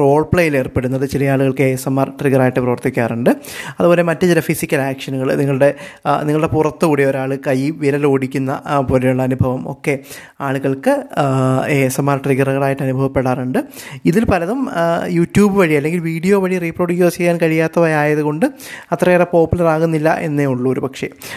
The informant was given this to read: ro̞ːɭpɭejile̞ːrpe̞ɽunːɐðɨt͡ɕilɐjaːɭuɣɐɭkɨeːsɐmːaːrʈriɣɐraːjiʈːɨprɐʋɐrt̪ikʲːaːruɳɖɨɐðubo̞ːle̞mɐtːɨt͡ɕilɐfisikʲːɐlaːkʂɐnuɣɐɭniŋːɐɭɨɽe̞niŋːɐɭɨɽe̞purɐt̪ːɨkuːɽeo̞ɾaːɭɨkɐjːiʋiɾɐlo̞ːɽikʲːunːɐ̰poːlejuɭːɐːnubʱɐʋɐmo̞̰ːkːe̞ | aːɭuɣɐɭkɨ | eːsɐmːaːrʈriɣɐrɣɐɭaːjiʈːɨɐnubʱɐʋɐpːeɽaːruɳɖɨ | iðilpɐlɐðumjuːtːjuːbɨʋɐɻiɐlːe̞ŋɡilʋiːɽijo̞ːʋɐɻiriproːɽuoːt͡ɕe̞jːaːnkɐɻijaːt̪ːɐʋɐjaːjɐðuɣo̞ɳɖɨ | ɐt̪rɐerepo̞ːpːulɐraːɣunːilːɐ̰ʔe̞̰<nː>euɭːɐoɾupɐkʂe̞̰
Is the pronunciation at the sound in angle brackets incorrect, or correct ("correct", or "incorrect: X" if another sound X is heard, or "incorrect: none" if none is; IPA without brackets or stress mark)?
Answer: correct